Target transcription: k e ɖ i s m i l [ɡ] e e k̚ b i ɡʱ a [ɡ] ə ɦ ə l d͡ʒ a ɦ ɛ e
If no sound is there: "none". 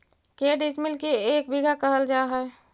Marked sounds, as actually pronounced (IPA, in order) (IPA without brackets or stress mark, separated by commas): k, k